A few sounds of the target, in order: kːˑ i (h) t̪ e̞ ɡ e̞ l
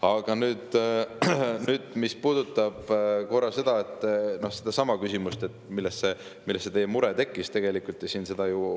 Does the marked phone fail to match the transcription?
yes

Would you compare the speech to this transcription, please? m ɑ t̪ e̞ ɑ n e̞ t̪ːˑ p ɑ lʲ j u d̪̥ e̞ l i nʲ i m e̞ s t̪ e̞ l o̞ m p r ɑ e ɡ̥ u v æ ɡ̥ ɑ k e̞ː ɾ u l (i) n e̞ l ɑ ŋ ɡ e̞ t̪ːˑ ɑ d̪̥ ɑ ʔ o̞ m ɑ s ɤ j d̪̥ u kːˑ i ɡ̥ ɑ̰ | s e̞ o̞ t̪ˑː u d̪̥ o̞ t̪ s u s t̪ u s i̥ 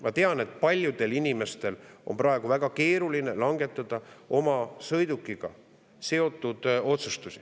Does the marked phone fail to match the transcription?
no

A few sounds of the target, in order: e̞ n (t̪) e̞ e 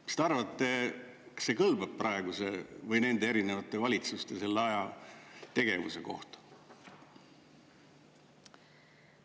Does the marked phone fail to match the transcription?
yes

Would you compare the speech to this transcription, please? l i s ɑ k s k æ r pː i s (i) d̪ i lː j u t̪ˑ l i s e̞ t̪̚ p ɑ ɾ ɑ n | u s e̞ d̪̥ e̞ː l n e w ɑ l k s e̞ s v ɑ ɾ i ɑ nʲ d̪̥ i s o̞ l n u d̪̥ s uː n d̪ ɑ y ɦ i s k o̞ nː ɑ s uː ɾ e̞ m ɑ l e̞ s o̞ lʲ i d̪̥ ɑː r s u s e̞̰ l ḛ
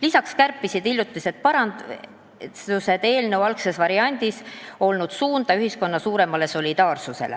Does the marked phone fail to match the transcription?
no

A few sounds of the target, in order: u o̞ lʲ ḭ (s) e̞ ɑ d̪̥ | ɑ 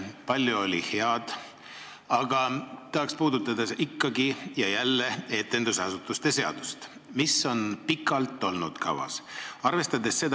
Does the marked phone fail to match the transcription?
yes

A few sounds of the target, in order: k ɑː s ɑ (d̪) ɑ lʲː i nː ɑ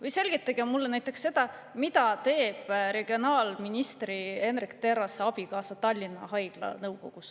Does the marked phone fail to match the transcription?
yes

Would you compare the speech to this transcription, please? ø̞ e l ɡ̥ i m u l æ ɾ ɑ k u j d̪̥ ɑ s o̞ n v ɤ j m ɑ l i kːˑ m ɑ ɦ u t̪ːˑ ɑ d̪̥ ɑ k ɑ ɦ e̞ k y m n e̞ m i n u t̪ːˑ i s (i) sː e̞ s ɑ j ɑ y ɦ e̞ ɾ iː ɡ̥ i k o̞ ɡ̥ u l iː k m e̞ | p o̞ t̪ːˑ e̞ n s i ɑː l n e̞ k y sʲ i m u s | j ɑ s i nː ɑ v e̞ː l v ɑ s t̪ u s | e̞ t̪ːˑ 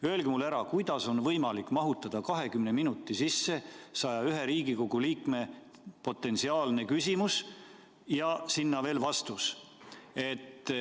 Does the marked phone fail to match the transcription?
no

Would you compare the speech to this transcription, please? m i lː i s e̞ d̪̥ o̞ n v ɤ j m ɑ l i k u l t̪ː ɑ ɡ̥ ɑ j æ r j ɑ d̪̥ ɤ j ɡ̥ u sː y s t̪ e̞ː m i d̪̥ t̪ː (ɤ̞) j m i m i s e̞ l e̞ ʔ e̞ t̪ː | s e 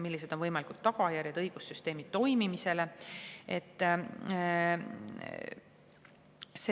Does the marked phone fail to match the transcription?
yes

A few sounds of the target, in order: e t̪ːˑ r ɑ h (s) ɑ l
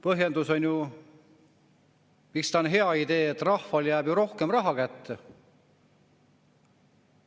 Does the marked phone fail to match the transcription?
yes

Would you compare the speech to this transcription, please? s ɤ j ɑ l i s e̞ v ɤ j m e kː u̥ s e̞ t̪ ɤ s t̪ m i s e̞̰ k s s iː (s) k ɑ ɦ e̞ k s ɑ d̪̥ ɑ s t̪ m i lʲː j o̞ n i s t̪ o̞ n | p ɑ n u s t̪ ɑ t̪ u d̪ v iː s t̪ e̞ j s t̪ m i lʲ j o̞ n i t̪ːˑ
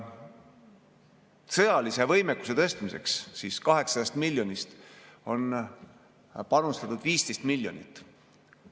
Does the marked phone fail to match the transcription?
no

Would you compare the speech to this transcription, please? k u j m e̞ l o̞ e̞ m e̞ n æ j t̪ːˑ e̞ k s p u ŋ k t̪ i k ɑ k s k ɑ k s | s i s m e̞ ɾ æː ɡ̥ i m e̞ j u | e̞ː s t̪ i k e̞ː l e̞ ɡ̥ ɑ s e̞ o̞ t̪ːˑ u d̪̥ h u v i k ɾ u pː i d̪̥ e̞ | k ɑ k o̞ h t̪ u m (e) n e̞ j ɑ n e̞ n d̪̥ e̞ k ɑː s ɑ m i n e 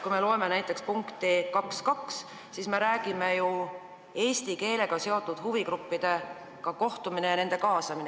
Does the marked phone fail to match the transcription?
yes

